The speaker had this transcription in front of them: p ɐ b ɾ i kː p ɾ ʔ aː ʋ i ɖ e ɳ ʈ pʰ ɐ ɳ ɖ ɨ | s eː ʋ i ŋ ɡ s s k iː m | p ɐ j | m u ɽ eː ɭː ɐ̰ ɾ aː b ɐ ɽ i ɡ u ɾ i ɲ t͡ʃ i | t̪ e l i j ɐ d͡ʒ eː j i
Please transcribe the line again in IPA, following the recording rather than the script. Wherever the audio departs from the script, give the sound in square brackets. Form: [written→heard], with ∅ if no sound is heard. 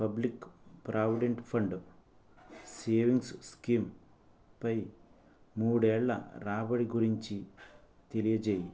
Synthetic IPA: p ɐ b [ɾ→l] i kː p ɾ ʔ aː ʋ i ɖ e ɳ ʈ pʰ ɐ ɳ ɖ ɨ | s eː ʋ i ŋ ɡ s s k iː m | p ɐ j | m [u→uː] ɽ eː ɭː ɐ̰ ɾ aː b ɐ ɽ i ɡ u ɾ i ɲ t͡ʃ i | t̪ e l i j ɐ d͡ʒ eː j i

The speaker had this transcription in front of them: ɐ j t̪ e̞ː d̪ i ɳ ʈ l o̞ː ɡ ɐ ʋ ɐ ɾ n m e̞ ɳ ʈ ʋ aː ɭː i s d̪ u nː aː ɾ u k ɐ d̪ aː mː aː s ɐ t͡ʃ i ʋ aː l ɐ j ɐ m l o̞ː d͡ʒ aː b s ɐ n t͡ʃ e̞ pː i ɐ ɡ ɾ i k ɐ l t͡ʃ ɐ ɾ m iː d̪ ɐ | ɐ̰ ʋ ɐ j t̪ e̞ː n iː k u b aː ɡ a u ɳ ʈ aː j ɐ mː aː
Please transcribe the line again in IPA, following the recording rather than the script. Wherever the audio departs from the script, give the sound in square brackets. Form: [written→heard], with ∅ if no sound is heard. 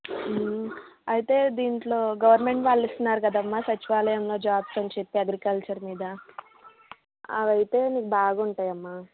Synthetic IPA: ɐ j t̪ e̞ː d̪ [i→iː] ɳ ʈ l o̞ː ɡ ɐ ʋ ɐ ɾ n m e̞ ɳ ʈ ʋ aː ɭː i s [d̪→t̪] u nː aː ɾ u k ɐ d̪ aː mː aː s ɐ t͡ʃ i ʋ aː l ɐ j ɐ m l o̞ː d͡ʒ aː b s ɐ n t͡ʃ e̞ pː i ɐ ɡ ɾ i k ɐ l t͡ʃ ɐ ɾ m iː d̪ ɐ | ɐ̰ ʋ ɐ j t̪ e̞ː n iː k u b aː ɡ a u ɳ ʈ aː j ɐ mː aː

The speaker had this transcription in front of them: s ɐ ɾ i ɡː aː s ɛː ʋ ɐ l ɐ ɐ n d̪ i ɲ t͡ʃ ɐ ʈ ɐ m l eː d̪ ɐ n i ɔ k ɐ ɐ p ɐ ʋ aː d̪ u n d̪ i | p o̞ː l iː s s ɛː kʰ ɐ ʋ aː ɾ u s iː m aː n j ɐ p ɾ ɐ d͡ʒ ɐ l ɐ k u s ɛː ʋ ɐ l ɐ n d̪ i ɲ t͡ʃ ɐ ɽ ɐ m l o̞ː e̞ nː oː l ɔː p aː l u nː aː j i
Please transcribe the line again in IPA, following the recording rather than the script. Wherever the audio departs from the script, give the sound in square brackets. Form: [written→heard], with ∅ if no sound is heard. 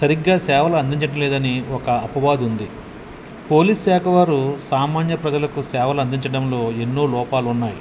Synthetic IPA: s ɐ ɾ i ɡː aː s ɛː ʋ ɐ l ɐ ɐ n d̪ i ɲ t͡ʃ ɐ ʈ ɐ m l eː d̪ ɐ n i ɔ k ɐ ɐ p ɐ ʋ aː d̪ u n d̪ i | p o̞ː l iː s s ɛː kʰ ɐ ʋ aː ɾ u s [iː→aː] m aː n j ɐ p ɾ ɐ d͡ʒ ɐ l ɐ k u s ɛː ʋ ɐ l ɐ n d̪ i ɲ t͡ʃ ɐ ɽ ɐ m l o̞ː e̞ nː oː l ɔː p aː l u nː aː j i

